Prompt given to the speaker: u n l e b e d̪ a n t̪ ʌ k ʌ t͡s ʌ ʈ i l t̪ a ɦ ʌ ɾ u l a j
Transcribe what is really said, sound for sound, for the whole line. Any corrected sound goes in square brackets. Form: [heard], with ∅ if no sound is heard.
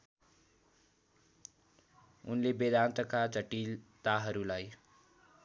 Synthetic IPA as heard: u n l e b e d̪ a n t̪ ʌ k [a] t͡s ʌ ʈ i l t̪ a ɦ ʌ ɾ u l a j